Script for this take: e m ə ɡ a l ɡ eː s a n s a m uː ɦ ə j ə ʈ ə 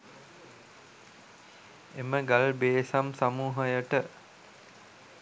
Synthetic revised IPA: e m ə ɡ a l b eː s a m s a m uː ɦ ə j ə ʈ ə